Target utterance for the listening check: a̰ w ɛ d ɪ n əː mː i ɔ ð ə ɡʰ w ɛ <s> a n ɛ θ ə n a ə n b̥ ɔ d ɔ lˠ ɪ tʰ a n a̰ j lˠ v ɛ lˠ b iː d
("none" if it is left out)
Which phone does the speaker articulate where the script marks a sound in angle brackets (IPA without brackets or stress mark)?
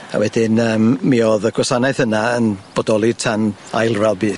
s